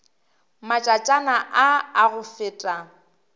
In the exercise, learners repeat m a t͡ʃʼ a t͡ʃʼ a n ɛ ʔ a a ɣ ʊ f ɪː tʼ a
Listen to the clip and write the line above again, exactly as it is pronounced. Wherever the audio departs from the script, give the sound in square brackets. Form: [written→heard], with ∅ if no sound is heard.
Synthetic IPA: m a t͡ʃʼ a t͡ʃʼ a n [ɛ→a] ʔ a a ɣ ʊ f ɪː tʼ a